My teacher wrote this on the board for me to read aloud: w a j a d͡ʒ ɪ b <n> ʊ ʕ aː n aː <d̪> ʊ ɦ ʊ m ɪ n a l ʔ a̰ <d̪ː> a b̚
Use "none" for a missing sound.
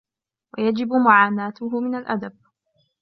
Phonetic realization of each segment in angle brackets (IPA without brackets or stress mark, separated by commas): m, t̪, d̪